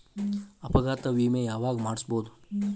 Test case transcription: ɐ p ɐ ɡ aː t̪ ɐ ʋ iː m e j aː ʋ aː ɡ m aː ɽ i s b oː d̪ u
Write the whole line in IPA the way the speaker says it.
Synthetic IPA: ɐ p ɐ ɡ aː t̪ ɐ ʋ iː m e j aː ʋ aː ɡ m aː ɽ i s b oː d̪ u